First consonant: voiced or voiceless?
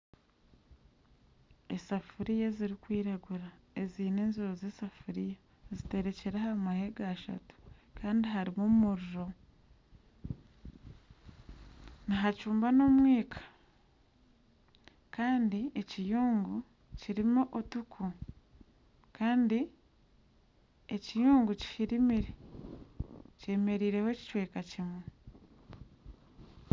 voiceless